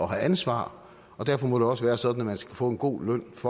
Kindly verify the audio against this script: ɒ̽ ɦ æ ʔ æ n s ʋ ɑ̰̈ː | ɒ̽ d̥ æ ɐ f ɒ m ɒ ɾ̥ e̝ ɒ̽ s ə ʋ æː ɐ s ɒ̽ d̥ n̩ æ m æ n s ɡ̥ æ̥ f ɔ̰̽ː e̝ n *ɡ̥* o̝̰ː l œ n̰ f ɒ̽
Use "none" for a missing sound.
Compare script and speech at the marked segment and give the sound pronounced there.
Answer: ɡ̥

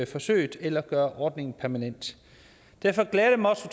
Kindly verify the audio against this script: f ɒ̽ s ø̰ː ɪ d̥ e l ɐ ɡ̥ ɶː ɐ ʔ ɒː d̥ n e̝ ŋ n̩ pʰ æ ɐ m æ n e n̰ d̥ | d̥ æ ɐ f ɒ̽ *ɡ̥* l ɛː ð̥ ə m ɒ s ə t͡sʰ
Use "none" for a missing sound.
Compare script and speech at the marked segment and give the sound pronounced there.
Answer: ɡ̥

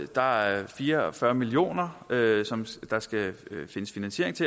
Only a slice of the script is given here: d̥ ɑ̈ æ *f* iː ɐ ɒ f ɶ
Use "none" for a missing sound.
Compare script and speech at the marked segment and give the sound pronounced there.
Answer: f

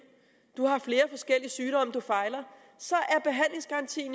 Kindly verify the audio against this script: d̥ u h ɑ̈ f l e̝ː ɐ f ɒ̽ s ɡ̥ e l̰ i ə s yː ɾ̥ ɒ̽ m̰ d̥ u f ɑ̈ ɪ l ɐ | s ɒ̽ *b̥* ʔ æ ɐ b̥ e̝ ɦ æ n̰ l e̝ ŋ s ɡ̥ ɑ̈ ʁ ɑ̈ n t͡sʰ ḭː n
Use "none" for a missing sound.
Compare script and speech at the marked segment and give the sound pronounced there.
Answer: none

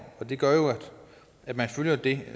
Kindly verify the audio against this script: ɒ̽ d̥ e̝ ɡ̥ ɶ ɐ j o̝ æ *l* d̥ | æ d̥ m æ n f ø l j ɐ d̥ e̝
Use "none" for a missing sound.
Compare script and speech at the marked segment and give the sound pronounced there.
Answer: none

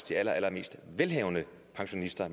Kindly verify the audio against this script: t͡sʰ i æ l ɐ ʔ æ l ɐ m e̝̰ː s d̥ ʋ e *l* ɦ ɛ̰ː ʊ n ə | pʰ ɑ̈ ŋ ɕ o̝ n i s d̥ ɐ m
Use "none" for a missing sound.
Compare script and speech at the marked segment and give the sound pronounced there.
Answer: l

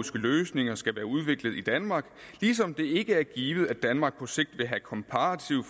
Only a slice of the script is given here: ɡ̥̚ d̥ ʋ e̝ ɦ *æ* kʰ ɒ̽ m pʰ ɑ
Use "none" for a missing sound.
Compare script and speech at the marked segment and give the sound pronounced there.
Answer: æ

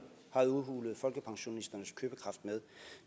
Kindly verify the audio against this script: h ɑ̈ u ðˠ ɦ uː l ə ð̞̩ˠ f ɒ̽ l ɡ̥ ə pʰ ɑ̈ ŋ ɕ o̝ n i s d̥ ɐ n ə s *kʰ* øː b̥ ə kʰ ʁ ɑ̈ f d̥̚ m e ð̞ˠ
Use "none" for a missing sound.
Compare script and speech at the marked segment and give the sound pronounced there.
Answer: kʰ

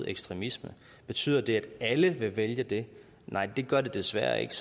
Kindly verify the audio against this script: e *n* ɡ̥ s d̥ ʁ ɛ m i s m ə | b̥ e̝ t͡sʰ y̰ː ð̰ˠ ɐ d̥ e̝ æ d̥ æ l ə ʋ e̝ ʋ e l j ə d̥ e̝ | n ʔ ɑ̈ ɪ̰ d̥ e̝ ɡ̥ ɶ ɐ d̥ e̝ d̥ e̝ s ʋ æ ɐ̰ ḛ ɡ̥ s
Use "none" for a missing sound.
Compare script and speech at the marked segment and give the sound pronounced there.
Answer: none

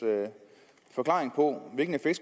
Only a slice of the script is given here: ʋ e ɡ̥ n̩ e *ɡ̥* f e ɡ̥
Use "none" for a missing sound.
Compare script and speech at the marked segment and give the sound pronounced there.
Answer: none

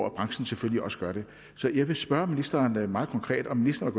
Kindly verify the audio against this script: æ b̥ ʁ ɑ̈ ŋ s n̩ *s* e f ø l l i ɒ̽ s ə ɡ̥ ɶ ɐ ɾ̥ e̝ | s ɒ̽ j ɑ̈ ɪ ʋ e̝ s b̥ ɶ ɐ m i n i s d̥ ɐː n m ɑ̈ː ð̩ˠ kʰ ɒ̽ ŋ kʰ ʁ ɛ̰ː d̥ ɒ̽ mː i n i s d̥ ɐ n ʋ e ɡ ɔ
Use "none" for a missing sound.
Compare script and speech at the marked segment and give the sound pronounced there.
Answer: s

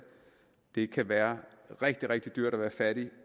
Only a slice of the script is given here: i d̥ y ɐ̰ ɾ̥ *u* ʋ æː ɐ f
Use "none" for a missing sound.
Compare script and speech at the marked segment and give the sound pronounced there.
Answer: ɒ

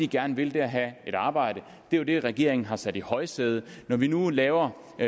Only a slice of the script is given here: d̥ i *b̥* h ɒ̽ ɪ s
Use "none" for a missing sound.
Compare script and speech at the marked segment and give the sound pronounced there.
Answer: none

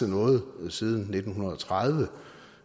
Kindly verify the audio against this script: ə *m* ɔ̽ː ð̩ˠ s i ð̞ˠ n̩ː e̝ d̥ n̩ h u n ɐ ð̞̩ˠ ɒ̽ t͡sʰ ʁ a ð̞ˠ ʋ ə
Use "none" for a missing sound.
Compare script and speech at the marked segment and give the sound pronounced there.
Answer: n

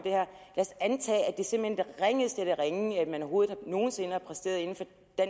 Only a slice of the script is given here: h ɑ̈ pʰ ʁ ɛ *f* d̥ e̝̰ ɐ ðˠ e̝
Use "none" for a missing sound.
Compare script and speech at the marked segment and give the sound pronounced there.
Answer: s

